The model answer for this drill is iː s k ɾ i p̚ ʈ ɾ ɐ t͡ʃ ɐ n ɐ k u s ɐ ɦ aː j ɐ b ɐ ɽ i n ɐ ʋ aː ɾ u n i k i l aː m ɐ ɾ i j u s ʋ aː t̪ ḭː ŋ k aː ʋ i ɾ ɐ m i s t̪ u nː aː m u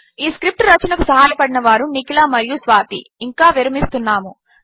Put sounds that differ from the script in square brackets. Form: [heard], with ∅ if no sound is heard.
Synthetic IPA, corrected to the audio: iː s k ɾ i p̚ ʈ ɾ ɐ t͡ʃ ɐ n ɐ k u s ɐ ɦ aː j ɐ [p] ɐ ɽ i n ɐ ʋ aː ɾ u n i k i l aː m ɐ ɾ i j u s ʋ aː t̪ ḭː ŋ k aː ʋ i ɾ ɐ m i s t̪ u nː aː m u

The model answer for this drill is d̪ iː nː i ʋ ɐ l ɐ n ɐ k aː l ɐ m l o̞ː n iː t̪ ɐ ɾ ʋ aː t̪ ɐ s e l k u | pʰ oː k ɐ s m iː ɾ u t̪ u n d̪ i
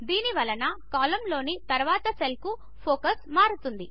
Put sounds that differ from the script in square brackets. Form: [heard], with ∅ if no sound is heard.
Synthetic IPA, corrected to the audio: d̪ iː [n] i ʋ ɐ l ɐ n ɐ k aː l ɐ m l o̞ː n [i] t̪ ɐ ɾ ʋ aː t̪ ɐ s e l k u | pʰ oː k ɐ s m [aː] ɾ u t̪ u n d̪ i

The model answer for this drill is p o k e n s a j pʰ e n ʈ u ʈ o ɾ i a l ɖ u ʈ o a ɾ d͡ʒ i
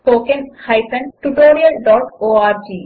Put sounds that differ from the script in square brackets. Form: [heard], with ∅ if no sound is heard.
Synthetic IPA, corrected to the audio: p o k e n [h] a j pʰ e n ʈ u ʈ o ɾ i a l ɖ [ɔ] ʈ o a ɾ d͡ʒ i

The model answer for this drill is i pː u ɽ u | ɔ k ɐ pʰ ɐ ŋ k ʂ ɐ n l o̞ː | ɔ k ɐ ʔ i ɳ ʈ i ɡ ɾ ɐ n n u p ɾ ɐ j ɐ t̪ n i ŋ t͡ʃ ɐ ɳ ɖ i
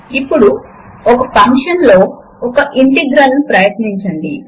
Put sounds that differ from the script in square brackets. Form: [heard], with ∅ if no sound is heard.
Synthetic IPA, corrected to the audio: i pː u ɽ u | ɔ k ɐ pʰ ɐ ŋ k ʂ ɐ n l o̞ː | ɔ k ɐ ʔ i ɳ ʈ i ɡ ɾ ɐ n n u p ɾ ɐ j ɐ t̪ n i [ɲ] t͡ʃ ɐ ɳ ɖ i

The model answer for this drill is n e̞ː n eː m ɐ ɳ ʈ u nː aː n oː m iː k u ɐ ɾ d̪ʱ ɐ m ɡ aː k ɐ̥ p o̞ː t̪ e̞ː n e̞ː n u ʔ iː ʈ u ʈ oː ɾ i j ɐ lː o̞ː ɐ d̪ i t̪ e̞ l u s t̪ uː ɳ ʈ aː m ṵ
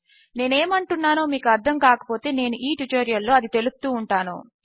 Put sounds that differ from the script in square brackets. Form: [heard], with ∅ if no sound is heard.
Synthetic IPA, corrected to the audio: n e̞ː n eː m ɐ ɳ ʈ u nː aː n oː m iː k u ɐ ɾ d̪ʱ ɐ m [k] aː k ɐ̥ p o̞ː t̪ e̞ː n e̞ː n u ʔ iː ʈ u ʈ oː ɾ i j ɐ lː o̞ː ɐ d̪ i t̪ e̞ l u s t̪ uː ɳ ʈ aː [n] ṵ

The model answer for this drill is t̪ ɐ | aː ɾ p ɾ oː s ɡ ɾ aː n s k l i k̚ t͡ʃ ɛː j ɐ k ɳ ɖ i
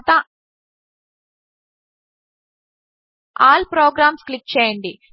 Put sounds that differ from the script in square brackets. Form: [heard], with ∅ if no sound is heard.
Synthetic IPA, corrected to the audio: t̪ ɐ | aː [l] p ɾ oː [∅] ɡ ɾ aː [m] s k l i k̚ t͡ʃ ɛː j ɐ [∅] ɳ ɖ i

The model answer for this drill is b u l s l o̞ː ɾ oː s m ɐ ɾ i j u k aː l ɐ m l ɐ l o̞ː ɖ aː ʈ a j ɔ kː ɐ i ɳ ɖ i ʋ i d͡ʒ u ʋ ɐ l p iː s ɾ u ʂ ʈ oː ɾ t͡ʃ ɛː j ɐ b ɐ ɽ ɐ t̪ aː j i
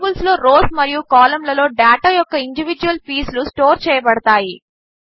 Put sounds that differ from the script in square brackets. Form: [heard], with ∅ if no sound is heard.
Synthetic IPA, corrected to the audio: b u l s l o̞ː ɾ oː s m ɐ ɾ i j u k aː l ɐ m l ɐ l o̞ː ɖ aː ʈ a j ɔ kː ɐ i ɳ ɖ i ʋ i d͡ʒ u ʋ ɐ l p iː s [l] u [s] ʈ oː ɾ t͡ʃ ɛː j ɐ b ɐ ɽ ɐ t̪ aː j i

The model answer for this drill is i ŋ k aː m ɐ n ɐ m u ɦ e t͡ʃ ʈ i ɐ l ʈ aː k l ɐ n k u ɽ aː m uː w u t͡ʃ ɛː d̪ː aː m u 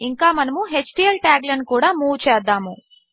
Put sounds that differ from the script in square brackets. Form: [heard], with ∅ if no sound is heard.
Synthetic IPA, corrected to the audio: i ŋ k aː m ɐ n ɐ m u ɦ e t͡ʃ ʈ i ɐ l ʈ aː [ɡ] l ɐ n k [uː] ɽ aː m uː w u t͡ʃ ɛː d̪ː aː m u

